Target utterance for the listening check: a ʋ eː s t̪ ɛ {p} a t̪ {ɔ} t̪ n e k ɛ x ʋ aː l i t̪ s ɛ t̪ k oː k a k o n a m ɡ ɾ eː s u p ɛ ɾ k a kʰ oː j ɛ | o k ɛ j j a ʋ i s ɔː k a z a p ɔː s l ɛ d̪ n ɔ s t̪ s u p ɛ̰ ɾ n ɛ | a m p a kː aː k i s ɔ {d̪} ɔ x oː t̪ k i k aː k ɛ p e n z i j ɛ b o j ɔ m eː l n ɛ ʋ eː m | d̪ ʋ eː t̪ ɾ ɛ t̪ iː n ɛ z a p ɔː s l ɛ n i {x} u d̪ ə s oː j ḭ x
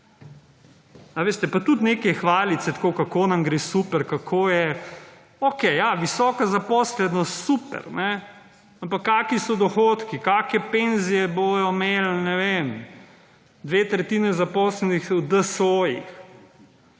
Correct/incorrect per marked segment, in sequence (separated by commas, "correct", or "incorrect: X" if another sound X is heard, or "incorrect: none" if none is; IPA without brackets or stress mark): correct, incorrect: u, correct, correct